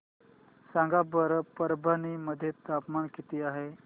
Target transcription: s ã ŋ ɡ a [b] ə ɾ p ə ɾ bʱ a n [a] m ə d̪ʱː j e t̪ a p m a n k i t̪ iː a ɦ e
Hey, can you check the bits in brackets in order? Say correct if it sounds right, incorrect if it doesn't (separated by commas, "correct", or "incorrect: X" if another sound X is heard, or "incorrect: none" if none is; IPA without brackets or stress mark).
correct, incorrect: i